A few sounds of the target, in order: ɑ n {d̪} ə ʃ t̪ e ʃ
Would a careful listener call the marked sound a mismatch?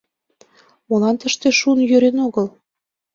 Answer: yes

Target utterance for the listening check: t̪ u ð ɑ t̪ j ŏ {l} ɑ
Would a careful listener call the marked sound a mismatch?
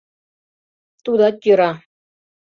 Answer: yes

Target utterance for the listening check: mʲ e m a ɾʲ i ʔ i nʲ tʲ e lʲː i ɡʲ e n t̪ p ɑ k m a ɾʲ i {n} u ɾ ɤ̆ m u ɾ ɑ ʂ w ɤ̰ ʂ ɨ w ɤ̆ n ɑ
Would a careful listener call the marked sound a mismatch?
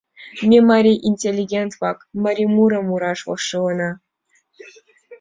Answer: yes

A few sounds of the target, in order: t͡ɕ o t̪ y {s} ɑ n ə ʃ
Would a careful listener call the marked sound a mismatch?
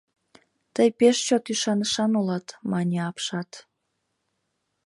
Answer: yes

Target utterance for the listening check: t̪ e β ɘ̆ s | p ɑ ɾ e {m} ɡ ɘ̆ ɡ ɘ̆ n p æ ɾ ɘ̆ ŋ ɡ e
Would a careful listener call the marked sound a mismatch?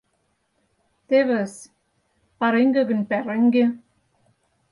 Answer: yes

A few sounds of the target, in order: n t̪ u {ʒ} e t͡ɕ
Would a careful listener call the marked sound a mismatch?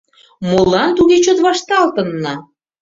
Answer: yes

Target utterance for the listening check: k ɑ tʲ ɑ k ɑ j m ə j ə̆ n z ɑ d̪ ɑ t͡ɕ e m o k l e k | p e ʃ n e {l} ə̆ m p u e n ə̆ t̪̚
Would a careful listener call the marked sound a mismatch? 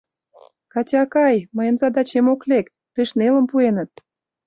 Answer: no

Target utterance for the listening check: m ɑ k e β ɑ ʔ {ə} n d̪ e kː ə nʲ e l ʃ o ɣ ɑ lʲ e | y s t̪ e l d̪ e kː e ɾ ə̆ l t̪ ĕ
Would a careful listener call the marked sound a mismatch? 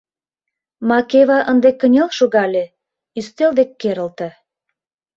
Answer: no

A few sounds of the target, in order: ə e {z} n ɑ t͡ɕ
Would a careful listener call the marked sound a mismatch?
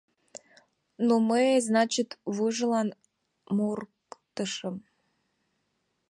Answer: no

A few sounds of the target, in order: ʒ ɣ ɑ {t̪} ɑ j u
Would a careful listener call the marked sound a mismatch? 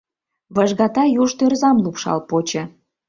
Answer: no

